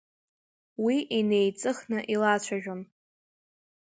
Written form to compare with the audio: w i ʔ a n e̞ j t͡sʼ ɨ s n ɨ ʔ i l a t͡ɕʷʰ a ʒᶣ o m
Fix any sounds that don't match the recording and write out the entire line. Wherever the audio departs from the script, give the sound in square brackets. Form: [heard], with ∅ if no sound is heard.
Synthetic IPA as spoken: w i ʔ [i] n e̞ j t͡sʼ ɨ [χ] n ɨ ʔ i l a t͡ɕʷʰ a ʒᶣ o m